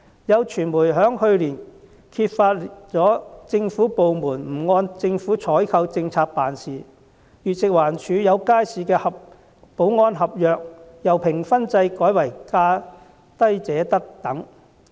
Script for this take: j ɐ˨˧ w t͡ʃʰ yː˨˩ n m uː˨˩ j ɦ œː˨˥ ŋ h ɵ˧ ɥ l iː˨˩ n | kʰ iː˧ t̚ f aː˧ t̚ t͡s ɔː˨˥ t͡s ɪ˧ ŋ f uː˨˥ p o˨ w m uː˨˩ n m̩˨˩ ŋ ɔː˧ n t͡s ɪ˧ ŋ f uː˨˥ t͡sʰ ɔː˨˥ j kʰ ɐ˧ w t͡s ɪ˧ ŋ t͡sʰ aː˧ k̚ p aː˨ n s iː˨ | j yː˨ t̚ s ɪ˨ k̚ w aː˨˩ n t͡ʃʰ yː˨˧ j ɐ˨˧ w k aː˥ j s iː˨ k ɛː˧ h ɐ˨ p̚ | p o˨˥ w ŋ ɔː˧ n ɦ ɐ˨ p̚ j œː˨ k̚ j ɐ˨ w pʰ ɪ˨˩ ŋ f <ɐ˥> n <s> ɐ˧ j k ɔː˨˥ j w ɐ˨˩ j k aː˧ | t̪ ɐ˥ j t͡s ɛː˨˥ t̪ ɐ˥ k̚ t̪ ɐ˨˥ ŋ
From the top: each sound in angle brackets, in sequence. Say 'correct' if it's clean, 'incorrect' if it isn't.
correct, incorrect: t͡s

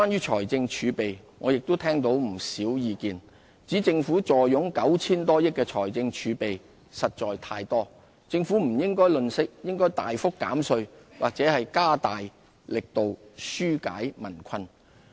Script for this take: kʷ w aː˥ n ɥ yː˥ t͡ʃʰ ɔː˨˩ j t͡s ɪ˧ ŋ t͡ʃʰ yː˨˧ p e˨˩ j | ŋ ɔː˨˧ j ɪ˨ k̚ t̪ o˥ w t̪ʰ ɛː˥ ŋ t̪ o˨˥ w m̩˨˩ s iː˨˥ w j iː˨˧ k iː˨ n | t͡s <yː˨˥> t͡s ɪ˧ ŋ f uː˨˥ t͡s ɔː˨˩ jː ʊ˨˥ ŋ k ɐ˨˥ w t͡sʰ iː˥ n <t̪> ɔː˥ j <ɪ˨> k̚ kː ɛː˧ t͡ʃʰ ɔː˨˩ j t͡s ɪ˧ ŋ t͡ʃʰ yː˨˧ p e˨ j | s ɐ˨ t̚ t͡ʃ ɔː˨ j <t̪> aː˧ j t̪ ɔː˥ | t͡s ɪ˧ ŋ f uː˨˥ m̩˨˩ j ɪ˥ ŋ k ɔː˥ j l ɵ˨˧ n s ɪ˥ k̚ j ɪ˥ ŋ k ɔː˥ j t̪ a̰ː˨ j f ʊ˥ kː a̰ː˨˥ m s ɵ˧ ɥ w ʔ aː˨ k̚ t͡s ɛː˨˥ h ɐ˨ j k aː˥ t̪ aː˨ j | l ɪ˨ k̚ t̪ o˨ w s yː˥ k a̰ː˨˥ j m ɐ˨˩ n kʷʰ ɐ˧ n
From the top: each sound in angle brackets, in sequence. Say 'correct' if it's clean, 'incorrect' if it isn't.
incorrect: iː˨˥, correct, incorrect: ɪ˥, incorrect: t̪ʰ

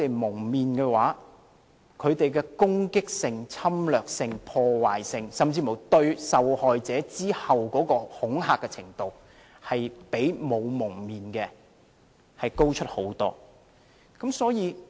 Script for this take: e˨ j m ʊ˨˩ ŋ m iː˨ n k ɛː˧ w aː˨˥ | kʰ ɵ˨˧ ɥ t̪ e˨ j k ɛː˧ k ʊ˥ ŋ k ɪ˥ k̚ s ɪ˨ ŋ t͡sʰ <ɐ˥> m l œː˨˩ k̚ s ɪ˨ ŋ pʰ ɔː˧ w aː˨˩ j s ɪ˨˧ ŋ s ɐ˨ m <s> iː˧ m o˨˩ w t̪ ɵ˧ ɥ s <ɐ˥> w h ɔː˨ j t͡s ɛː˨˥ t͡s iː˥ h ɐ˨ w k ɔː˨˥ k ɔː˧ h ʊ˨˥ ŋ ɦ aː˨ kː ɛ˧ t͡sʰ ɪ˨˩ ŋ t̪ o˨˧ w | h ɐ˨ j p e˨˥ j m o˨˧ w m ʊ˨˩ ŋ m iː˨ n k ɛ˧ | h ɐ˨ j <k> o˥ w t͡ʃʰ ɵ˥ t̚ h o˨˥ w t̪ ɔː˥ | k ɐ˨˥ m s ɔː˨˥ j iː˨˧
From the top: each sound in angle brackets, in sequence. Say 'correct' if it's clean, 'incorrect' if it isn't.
correct, incorrect: t͡s, incorrect: ɐ˨, correct

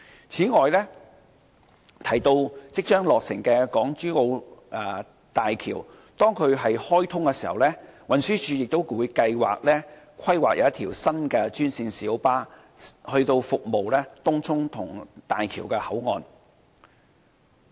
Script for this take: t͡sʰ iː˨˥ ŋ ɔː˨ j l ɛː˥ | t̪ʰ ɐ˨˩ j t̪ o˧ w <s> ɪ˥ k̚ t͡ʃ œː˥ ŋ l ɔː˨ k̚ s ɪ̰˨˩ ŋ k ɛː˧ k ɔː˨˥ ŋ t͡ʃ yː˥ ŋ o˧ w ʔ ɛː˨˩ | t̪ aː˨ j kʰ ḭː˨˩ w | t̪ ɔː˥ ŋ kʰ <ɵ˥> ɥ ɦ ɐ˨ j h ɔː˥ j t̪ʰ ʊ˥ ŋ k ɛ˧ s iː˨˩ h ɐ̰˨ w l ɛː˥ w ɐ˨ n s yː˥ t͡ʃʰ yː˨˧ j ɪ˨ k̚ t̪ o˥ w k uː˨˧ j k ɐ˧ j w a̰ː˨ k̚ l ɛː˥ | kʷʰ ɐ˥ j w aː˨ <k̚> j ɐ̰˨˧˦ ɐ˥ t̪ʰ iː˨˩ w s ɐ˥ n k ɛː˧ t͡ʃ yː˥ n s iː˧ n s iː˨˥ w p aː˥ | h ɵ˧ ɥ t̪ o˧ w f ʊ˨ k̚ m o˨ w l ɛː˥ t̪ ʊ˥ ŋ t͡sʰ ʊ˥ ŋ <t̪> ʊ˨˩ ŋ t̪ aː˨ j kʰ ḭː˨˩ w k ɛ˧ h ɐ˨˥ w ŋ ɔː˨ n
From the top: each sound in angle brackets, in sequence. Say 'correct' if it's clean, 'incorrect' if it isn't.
incorrect: t͡s, incorrect: ɵ˨˧, correct, incorrect: t̪ʰ

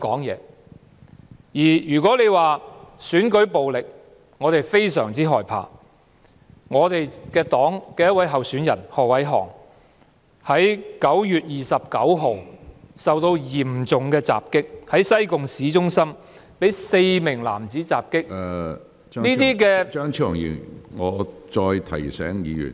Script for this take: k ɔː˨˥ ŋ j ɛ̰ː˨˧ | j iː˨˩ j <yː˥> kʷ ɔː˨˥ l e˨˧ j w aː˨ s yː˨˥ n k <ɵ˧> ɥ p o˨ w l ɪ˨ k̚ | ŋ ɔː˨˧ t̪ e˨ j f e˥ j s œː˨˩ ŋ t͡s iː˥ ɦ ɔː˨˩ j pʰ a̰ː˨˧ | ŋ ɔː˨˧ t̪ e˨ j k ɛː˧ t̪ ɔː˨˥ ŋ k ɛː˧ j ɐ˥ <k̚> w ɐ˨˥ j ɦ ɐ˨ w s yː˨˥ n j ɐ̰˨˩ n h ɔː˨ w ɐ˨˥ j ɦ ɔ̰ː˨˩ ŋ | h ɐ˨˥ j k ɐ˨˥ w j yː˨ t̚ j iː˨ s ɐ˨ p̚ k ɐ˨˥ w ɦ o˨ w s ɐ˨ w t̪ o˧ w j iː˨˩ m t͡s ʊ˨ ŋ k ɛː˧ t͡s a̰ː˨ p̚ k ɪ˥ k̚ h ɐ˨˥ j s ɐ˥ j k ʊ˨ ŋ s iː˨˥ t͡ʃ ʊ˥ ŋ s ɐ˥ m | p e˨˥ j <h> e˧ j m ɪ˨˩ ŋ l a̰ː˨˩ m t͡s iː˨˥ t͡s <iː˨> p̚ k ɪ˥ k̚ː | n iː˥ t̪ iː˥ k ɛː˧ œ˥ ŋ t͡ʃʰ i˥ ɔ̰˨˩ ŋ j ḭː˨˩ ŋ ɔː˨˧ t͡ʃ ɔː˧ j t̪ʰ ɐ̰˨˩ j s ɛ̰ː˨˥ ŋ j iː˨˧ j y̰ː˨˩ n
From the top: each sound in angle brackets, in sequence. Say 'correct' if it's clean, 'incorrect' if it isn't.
incorrect: yː˨˩, incorrect: ɵ˨˥, incorrect: t̚, incorrect: s, incorrect: aː˨

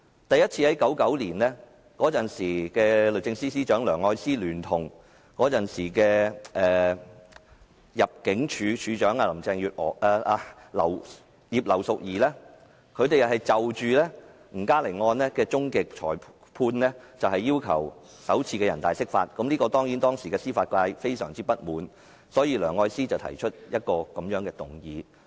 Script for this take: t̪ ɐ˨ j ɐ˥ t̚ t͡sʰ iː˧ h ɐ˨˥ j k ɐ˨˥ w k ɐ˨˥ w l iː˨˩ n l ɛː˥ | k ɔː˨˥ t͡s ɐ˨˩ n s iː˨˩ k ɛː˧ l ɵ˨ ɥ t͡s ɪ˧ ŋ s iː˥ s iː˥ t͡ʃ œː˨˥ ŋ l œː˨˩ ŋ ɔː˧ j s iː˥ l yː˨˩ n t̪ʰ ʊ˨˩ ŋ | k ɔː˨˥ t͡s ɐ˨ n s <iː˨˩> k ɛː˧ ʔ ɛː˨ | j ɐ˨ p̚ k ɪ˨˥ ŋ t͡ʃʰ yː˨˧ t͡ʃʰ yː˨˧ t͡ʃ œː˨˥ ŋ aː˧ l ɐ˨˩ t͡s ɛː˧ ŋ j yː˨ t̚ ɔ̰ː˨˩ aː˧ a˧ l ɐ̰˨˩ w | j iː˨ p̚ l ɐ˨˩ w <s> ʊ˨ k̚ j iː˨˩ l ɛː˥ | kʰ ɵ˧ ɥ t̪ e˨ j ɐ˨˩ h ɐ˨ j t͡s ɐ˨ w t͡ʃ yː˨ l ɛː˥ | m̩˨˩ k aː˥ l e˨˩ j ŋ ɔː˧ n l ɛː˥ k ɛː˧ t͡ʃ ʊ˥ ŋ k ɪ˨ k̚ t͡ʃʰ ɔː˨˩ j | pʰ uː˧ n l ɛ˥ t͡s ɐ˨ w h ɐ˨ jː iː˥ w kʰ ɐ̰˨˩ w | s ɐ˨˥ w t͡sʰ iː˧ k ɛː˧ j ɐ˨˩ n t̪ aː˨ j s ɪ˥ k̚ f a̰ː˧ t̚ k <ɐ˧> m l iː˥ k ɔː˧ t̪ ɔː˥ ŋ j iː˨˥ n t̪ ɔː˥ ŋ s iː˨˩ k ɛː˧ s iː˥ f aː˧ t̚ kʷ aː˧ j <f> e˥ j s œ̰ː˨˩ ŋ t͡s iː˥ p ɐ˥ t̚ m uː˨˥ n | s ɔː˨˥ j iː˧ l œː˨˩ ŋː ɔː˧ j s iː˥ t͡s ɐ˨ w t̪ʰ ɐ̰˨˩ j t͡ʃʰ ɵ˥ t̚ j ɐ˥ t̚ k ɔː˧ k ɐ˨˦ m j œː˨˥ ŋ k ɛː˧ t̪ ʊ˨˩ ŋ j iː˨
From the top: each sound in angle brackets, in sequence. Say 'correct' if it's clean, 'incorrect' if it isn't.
correct, correct, incorrect: ɐ˨˥, correct

